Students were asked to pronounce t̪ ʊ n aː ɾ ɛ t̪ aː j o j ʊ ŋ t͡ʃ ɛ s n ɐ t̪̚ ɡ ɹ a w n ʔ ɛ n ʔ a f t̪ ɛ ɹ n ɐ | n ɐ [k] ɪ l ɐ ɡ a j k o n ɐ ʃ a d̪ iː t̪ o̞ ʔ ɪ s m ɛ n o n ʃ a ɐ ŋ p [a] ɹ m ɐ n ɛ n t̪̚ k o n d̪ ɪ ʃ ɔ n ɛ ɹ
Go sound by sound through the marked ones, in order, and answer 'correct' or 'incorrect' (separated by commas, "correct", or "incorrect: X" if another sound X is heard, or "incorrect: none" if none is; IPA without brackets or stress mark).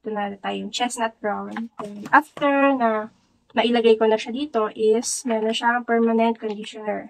incorrect: ʔ, incorrect: ɛ